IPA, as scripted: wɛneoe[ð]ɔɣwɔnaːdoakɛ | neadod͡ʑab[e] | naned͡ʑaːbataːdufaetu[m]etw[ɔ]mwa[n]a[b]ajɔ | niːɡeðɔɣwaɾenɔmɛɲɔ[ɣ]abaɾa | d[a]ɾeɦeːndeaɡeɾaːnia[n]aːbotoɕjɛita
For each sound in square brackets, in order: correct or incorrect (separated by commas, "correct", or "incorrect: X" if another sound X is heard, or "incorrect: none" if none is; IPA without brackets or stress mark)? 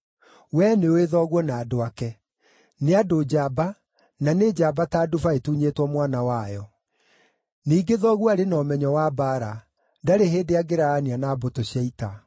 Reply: correct, incorrect: a, incorrect: ɲ, correct, correct, incorrect: w, incorrect: w, correct, correct